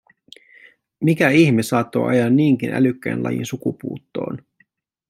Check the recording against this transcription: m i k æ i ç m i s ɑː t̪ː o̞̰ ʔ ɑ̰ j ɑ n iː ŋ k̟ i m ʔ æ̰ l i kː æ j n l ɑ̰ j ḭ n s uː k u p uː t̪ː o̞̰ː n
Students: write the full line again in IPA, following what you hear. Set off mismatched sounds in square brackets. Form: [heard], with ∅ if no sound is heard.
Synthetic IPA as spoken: m i k æ i ç m i s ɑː t̪ː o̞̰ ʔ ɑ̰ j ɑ [nː] iː ŋ k̟ i [n] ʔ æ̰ l [y] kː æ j n l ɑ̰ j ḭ n s [u] k u p uː t̪ː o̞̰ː n